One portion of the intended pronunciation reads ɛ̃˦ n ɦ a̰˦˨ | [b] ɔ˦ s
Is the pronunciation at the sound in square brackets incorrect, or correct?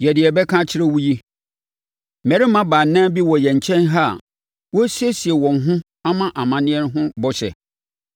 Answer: incorrect